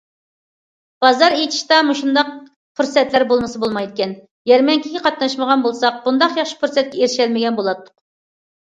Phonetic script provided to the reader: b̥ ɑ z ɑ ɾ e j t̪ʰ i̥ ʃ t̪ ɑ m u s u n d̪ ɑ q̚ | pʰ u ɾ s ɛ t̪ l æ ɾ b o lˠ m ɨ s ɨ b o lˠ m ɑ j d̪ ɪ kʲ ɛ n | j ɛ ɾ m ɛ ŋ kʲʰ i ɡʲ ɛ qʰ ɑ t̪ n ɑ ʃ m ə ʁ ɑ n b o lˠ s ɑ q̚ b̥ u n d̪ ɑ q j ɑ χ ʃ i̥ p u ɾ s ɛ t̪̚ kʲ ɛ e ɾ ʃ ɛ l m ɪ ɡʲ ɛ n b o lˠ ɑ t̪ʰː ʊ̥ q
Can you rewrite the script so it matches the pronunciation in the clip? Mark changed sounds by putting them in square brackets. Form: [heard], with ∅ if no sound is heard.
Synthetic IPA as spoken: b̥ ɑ z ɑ ɾ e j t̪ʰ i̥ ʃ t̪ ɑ m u [ʃ] u n d̪ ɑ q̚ | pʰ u ɾ s ɛ t̪ l æ ɾ b o lˠ m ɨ s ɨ b o lˠ m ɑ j d̪ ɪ kʲ ɛ n | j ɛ ɾ m ɛ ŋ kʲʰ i ɡʲ ɛ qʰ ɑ t̪ n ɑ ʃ m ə ʁ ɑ n b o lˠ s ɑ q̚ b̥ u n d̪ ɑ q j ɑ χ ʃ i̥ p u ɾ s ɛ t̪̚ kʲ ɛ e ɾ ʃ ɛ l m ɪ ɡʲ ɛ n b o lˠ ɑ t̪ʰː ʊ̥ q

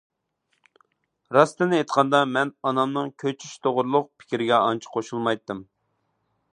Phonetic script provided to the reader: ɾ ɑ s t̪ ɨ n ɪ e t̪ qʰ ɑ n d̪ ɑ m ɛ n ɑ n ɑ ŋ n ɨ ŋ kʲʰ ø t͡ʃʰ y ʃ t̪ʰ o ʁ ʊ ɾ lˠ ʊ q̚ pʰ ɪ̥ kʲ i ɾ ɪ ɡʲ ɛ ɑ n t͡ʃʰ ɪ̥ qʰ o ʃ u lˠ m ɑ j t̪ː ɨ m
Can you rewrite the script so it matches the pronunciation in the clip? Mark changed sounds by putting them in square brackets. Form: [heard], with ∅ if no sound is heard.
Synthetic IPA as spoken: ɾ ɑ s t̪ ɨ n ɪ e t̪ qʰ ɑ n d̪ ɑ m ɛ n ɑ n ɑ [m] n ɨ ŋ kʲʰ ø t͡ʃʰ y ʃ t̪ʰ o ʁ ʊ ɾ lˠ ʊ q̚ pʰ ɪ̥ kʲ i ɾ ɪ ɡʲ ɛ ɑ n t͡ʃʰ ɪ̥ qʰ o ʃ u lˠ m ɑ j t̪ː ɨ m

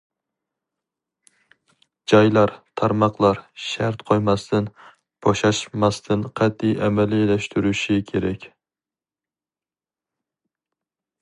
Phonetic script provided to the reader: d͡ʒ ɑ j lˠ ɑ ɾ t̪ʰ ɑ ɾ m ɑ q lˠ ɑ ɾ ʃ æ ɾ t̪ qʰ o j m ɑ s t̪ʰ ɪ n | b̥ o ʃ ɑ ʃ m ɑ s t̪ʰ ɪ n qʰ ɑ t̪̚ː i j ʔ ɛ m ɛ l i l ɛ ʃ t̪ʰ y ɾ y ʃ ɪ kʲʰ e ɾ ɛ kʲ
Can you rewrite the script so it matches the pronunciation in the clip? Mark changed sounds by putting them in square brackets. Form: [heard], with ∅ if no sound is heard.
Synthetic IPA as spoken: d͡ʒ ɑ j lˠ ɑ ɾ t̪ʰ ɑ ɾ m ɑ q lˠ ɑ ɾ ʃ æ ɾ t̪ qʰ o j m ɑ s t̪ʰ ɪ n | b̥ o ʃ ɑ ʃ m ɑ s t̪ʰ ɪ n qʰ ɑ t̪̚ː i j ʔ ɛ m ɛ l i l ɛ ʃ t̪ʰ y ɾ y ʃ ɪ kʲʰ e ɾ ɛ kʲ

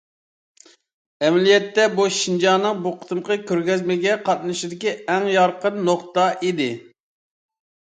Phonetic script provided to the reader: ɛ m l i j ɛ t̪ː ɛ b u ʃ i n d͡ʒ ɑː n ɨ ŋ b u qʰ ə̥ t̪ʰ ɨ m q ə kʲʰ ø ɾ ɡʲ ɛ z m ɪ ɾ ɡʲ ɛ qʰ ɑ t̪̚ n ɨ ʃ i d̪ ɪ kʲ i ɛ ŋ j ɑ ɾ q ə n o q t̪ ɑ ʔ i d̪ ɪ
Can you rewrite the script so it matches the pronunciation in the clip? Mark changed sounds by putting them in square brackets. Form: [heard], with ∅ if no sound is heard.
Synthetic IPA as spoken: ɛ m l i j ɛ t̪ː ɛ b u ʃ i n d͡ʒ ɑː n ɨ ŋ b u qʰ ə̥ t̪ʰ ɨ m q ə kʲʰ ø ɾ ɡʲ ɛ z m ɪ [∅] ɡʲ ɛ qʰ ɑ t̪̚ n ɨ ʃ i d̪ ɪ kʲ i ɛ ŋ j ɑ ɾ q ə [nː] o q t̪ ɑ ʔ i d̪ ɪ

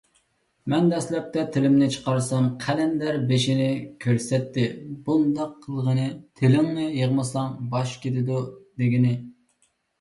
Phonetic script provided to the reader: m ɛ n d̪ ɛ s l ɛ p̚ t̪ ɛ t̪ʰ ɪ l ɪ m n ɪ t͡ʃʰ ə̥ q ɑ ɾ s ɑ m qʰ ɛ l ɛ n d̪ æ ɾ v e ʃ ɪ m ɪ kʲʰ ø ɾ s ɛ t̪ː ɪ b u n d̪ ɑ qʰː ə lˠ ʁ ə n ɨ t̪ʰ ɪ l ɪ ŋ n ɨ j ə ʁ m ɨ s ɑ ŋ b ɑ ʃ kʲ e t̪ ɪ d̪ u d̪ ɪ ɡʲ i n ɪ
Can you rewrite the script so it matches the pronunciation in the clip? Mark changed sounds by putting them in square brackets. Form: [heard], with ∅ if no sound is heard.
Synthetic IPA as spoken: m ɛ n d̪ ɛ s l ɛ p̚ t̪ ɛ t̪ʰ ɪ l ɪ m n ɪ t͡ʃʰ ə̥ q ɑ ɾ s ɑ m qʰ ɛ l ɛ n d̪ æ ɾ [b] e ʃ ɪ [n] ɪ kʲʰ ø ɾ s ɛ t̪ː ɪ b u n d̪ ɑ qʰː ə lˠ ʁ ə n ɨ t̪ʰ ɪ l ɪ ŋ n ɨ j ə ʁ m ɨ s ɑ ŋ b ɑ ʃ kʲ e t̪ ɪ d̪ u d̪ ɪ ɡʲ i n ɪ

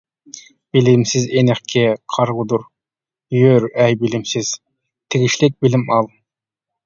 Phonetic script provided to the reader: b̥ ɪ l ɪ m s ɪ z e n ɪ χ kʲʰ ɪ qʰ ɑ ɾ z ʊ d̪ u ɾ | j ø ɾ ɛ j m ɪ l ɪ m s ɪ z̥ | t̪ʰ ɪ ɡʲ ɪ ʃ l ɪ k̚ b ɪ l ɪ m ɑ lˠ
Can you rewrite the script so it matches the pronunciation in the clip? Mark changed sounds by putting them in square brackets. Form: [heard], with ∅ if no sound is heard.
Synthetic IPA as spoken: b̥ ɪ l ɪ m s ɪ z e n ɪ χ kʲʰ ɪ qʰ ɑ ɾ [ʁ] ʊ d̪ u ɾ | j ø ɾ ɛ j [b] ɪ l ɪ m s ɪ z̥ | t̪ʰ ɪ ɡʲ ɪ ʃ l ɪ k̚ b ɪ l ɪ m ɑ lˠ

